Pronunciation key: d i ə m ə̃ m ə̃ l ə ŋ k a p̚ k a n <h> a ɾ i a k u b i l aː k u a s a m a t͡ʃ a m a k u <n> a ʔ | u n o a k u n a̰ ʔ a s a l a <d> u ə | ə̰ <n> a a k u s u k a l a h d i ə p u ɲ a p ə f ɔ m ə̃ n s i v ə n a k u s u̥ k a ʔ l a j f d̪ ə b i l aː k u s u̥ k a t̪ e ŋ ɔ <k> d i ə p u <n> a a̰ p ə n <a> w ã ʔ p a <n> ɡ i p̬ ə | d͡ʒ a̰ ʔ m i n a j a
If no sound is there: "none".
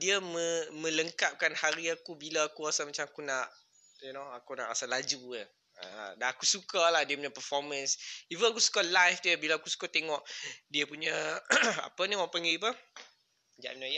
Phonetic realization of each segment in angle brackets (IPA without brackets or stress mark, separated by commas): h, n, d͡ʒ, d, ʔ, ɲ, i, ŋ